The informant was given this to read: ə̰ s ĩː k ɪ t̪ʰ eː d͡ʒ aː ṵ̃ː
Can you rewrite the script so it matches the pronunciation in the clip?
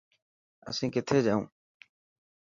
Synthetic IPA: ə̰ s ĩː k ɪ t̪ʰ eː d͡ʒ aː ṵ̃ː